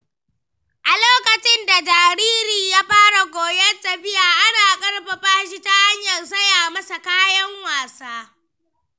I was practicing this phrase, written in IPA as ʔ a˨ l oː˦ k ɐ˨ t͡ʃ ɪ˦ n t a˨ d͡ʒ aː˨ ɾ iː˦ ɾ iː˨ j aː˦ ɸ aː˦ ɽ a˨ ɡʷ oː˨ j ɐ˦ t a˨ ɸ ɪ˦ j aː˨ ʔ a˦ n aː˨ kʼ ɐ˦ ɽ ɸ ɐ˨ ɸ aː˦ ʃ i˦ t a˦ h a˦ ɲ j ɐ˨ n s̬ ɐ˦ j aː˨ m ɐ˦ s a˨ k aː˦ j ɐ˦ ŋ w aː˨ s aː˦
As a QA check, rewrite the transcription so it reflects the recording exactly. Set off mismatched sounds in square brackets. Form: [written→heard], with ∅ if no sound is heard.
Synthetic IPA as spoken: ʔ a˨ l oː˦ k ɐ˨ t͡ʃ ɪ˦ n [t→d] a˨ d͡ʒ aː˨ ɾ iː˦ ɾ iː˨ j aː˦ ɸ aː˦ ɽ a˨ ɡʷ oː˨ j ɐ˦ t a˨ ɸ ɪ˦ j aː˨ ʔ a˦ n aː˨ kʼ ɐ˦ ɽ ɸ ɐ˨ ɸ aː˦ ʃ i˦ t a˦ h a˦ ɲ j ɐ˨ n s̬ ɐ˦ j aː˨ m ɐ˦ s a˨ k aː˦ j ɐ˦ ŋ w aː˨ s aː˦